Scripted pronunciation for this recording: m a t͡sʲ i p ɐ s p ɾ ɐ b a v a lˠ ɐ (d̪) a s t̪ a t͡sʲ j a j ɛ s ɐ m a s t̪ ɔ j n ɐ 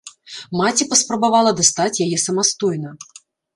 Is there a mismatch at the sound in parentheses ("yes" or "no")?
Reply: no